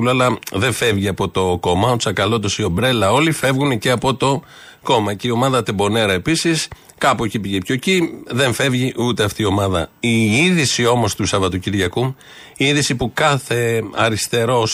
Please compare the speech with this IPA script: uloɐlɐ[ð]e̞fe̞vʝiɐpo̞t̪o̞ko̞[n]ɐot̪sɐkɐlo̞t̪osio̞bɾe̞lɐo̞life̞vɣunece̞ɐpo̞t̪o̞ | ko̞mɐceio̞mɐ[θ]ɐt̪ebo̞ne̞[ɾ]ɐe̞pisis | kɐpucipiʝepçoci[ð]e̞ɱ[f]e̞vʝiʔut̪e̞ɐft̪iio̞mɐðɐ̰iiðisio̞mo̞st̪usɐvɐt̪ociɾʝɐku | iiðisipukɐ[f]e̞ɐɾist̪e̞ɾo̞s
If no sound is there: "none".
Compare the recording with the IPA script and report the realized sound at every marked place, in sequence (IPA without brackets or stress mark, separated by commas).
ð, m, ð, ɾ, ð, f, θ